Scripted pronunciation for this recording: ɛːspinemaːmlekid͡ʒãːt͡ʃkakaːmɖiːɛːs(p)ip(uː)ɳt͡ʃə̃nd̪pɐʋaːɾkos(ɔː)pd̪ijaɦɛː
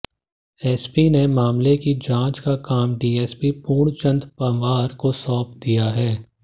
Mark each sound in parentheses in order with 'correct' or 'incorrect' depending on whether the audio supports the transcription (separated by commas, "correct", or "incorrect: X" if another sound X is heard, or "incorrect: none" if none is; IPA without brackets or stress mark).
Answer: correct, correct, correct